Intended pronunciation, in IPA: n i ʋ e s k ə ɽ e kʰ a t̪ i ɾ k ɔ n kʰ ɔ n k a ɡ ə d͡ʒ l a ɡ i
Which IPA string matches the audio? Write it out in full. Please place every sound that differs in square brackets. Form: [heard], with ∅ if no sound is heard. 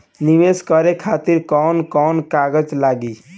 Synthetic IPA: n i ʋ e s k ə [ɾ] e kʰ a t̪ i ɾ k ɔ n [k] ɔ n k a ɡ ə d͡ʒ l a ɡ i